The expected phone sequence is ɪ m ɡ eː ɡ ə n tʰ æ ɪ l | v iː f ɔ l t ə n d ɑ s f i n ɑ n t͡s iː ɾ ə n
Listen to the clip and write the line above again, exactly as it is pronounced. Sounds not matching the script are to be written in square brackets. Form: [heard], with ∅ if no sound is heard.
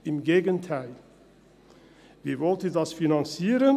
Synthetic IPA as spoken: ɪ m ɡ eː ɡ ə n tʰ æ ɪ l | v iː [v] ɔ l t ə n d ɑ s f i n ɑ n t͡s iː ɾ ə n